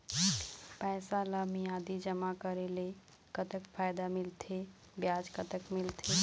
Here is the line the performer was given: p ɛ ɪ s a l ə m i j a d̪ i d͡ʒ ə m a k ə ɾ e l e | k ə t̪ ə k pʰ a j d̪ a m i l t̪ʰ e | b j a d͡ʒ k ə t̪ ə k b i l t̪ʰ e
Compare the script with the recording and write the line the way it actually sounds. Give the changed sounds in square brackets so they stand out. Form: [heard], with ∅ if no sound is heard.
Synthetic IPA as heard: p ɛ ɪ s a l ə m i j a d̪ i d͡ʒ ə m a k ə ɾ e l e | k ə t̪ ə k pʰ a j d̪ a m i l t̪ʰ e | b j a d͡ʒ k ə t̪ ə k [m] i l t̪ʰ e